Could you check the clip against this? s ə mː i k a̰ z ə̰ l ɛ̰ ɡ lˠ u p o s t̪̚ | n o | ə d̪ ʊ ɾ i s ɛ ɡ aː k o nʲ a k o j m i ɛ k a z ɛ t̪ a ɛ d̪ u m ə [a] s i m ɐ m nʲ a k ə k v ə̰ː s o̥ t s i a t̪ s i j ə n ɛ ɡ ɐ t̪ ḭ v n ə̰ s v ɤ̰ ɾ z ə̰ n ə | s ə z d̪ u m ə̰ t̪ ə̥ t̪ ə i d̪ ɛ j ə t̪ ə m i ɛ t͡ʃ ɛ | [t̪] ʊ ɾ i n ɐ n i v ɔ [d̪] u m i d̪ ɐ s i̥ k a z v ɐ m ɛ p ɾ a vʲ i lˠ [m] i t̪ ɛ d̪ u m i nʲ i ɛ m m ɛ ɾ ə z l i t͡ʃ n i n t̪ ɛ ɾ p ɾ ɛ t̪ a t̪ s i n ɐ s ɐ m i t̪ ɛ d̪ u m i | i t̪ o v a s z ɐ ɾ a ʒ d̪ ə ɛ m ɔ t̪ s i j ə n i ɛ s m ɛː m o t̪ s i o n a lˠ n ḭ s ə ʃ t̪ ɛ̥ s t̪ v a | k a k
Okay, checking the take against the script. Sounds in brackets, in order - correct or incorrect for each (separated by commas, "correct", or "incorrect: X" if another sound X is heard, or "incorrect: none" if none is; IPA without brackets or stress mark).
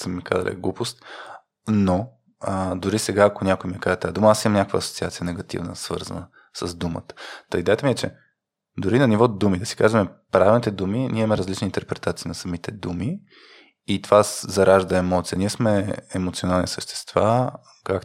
correct, incorrect: d̪, correct, incorrect: n